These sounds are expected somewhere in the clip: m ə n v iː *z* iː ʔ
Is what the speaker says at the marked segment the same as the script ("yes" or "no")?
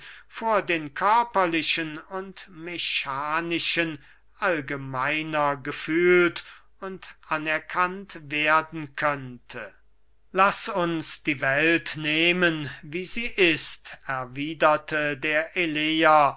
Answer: yes